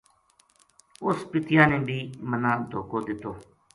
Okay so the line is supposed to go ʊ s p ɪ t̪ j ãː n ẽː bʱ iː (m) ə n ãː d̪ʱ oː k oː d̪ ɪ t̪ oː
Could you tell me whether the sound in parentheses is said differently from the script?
no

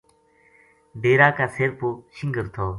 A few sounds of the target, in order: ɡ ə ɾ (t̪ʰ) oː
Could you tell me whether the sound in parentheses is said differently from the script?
no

